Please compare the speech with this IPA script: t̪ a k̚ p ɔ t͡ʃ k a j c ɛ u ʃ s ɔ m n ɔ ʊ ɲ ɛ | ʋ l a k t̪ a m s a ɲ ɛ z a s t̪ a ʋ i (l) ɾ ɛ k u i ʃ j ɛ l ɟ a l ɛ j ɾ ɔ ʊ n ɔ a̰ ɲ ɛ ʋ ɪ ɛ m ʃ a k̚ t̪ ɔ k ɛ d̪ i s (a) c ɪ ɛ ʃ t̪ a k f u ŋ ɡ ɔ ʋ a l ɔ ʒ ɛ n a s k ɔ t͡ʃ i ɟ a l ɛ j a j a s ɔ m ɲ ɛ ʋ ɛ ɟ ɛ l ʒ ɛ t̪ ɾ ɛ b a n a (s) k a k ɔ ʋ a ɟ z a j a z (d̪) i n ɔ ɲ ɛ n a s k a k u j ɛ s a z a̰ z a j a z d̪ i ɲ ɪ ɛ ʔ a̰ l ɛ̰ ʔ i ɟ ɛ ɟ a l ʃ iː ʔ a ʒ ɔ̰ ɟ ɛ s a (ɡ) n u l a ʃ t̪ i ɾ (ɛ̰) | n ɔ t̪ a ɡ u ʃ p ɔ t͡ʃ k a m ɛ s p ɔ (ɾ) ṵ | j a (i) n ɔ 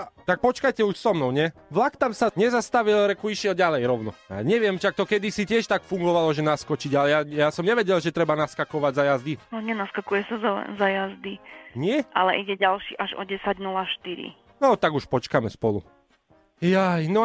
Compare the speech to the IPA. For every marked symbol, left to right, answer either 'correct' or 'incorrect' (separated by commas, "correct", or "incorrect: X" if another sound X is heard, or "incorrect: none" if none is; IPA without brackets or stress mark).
correct, incorrect: i, correct, correct, incorrect: ɟ, incorrect: ḭ, incorrect: l, incorrect: j